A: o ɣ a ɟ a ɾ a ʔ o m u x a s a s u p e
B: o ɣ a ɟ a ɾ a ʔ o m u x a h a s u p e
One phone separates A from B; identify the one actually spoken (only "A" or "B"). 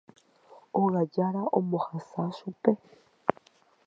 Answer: A